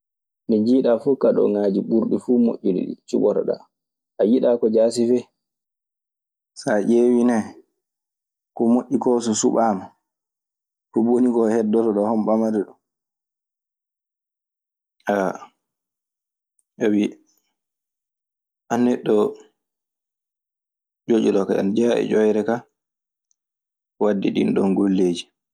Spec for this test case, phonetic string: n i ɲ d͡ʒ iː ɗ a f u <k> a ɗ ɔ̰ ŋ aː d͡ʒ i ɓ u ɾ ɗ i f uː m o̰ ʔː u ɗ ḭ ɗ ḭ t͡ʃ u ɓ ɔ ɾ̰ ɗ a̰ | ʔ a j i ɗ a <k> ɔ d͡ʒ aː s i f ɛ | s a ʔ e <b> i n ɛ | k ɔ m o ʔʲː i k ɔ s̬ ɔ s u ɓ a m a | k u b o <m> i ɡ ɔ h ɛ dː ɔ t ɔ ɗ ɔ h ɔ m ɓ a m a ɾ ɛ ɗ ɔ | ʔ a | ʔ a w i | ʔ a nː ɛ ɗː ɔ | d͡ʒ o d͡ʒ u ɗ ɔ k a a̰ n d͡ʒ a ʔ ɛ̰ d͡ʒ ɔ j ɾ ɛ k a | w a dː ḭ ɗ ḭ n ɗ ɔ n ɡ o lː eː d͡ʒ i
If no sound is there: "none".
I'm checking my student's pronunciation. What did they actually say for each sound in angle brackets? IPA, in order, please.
k, k, w, n

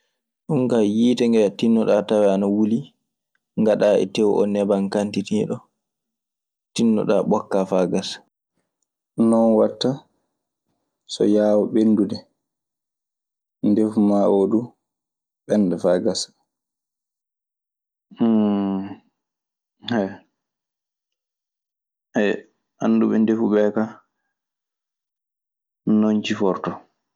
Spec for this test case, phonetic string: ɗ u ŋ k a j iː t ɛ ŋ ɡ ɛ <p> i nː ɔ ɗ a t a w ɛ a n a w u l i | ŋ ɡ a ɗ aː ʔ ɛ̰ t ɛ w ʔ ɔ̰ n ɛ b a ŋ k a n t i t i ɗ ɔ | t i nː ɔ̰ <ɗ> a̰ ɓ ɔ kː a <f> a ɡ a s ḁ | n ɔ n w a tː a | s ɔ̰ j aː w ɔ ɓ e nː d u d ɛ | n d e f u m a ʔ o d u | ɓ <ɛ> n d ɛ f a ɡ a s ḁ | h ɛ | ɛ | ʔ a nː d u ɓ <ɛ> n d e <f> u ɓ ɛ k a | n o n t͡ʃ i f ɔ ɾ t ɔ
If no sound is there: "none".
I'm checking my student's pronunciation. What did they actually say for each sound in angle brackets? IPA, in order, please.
t, ɗ, f, ɛ, ɛ, f

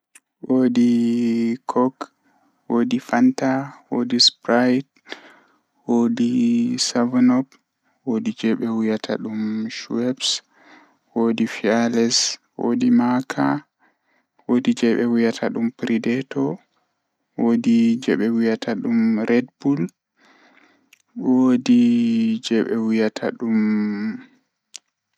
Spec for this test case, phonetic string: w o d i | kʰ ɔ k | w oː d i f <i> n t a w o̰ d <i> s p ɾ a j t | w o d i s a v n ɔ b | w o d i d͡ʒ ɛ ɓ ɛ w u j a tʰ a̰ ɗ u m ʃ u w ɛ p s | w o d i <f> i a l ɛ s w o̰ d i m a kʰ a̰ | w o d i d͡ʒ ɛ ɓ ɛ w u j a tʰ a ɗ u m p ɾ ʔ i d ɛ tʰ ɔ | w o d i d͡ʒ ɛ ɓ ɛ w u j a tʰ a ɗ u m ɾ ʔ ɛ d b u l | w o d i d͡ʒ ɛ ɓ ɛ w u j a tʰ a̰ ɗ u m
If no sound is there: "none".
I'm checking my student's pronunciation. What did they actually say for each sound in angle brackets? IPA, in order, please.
a, i, f

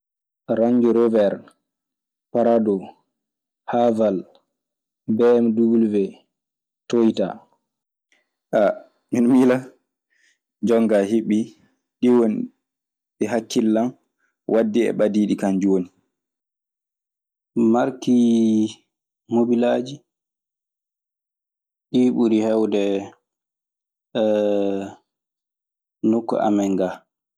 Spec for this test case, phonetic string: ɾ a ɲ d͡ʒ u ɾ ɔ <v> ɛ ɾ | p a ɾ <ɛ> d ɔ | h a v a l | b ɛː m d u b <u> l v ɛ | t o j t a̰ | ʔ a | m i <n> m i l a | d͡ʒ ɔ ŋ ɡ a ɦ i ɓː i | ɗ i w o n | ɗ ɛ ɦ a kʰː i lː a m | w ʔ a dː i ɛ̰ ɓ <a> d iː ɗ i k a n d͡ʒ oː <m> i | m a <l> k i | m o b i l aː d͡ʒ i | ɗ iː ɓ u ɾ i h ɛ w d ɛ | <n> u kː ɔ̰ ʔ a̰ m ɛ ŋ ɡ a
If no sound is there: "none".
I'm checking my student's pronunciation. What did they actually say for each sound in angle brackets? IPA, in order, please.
v, a, u, n, a, n, ɾ, n

